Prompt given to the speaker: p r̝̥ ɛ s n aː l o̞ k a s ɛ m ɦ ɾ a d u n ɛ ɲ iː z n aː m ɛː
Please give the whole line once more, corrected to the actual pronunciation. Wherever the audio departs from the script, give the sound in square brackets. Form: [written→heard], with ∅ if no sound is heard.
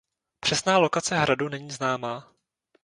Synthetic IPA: p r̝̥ ɛ s n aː l o̞ k a [s→t͡s] ɛ [m→∅] ɦ ɾ a d u n ɛ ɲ iː z n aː m [ɛː→aː]